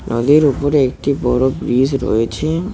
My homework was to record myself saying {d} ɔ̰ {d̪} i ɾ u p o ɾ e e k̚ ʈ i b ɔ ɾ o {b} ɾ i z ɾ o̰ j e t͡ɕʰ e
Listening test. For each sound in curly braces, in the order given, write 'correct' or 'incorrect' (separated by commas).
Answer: incorrect, correct, correct